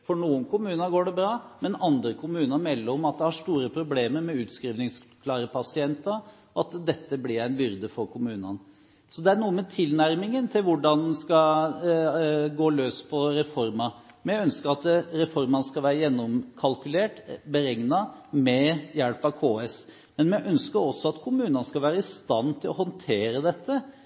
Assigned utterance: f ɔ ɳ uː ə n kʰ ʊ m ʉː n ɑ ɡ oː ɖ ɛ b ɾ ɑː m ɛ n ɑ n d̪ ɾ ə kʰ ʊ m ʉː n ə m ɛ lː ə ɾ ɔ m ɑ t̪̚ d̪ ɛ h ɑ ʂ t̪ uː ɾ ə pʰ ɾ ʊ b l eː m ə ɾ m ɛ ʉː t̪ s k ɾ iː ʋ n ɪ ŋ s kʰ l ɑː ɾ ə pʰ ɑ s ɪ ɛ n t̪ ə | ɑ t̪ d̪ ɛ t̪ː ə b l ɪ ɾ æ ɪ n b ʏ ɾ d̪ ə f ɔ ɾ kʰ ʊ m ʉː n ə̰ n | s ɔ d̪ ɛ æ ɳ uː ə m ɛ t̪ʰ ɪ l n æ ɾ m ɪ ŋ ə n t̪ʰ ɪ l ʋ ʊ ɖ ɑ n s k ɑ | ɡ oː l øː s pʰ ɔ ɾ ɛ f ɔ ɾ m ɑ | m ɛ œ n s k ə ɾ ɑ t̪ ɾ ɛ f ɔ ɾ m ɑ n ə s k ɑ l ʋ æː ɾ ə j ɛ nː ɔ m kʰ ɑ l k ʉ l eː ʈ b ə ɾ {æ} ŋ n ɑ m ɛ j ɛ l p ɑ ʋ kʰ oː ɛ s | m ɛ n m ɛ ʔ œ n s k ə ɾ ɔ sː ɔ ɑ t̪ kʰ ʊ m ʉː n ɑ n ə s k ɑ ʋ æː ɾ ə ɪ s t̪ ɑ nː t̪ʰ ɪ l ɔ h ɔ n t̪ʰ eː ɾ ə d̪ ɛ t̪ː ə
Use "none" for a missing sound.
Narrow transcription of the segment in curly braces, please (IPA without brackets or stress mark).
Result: ɛ